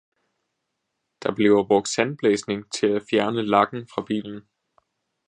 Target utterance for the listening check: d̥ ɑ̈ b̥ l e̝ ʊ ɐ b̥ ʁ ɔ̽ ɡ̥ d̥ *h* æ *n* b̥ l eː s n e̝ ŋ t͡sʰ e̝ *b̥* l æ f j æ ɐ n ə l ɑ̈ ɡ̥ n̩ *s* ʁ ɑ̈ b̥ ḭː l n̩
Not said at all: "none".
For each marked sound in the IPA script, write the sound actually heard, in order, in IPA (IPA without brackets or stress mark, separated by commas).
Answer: s, n, none, f